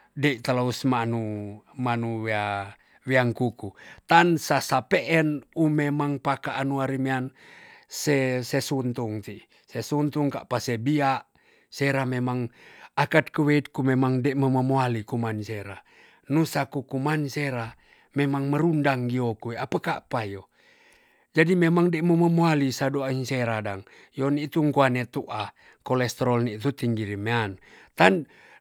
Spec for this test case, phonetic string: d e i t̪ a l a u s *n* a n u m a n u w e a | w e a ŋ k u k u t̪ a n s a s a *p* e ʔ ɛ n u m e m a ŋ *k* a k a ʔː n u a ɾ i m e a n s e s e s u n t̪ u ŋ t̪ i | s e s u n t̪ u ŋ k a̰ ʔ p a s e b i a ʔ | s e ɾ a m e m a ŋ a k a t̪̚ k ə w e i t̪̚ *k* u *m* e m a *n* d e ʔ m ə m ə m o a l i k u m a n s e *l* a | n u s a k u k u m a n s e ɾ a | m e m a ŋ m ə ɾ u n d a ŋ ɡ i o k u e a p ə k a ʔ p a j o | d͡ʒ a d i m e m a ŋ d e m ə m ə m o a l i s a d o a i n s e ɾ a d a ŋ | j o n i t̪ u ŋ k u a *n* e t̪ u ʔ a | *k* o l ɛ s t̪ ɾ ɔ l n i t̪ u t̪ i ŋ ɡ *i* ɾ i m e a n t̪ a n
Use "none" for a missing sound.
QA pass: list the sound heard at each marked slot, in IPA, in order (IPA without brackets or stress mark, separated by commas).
m, p, p, k, m, ŋ, ɾ, n, k, i